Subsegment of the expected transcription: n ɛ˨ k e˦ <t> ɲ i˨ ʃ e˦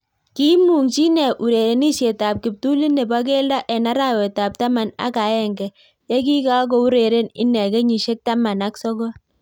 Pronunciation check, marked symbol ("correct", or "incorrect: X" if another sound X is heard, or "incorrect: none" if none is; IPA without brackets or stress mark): incorrect: none